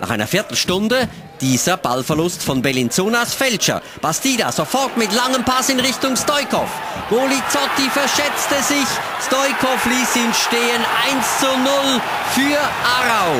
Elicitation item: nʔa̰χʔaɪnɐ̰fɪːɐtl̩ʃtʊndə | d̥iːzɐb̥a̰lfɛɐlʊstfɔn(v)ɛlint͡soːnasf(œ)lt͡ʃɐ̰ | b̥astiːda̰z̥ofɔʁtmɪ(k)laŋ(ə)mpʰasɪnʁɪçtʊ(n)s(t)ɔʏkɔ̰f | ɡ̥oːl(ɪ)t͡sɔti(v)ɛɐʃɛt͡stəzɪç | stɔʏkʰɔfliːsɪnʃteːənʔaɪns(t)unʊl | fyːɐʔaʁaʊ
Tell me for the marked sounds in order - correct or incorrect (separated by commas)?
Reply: incorrect, incorrect, incorrect, correct, incorrect, correct, incorrect, incorrect, incorrect